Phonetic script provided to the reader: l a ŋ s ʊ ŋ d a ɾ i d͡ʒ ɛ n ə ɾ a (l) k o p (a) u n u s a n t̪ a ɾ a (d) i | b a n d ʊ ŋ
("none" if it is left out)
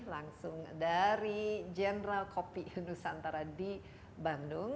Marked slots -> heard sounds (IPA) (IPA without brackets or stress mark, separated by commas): l, i, d